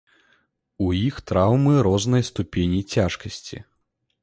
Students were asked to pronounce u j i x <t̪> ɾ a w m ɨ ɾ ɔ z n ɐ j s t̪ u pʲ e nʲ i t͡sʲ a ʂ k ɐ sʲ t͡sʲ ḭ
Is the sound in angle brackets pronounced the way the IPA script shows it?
yes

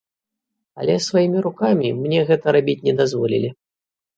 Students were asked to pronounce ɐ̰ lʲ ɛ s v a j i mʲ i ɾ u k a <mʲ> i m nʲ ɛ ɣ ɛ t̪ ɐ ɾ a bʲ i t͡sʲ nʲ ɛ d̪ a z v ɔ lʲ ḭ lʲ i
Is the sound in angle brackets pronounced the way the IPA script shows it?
yes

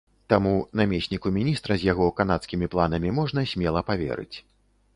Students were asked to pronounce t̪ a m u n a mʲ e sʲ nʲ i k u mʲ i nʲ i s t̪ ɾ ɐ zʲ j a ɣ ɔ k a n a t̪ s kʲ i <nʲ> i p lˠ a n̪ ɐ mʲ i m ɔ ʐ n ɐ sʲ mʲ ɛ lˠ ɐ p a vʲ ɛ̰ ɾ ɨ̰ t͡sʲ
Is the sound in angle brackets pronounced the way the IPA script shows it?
no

